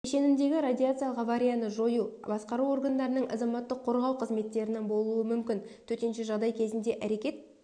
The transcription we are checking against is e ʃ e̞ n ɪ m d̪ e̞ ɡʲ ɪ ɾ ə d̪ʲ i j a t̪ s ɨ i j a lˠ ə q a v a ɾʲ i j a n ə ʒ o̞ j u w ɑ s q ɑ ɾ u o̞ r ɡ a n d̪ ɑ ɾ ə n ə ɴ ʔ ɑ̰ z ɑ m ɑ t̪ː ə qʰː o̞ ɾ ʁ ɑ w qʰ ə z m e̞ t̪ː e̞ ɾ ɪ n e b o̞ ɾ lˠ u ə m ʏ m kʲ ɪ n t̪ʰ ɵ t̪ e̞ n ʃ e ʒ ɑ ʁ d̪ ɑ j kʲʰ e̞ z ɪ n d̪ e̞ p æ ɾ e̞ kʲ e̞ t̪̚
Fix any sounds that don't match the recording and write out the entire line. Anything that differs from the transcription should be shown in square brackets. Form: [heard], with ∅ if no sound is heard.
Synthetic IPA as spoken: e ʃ e̞ n ɪ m d̪ e̞ ɡʲ ɪ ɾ [a] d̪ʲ i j a t̪ s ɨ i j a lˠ ə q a v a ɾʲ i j a n ə ʒ o̞ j u [b] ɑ s q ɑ ɾ u o̞ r ɡ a n d̪ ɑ ɾ ə n ə ɴ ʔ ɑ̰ z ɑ m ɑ t̪ː ə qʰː o̞ ɾ ʁ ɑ w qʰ ə z m e̞ t̪ː e̞ ɾ ɪ n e b o̞ [∅] lˠ u ə m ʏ m kʲ ɪ n t̪ʰ ɵ t̪ e̞ n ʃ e ʒ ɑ ʁ d̪ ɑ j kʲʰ e̞ z ɪ n d̪ e̞ [ʔ] æ ɾ e̞ kʲ e̞ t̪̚